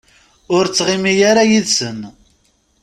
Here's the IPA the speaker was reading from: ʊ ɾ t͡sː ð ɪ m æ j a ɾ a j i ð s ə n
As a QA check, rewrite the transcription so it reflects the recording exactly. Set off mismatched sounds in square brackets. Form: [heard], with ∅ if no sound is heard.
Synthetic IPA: ʊ ɾ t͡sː [ʁ] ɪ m [i] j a ɾ a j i ð s ə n